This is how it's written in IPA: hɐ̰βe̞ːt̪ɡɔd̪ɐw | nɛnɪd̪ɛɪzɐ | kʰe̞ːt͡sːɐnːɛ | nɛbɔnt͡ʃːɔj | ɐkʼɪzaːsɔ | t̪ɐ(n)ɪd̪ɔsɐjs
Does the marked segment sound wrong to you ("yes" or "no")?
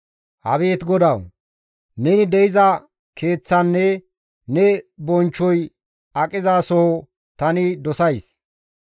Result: no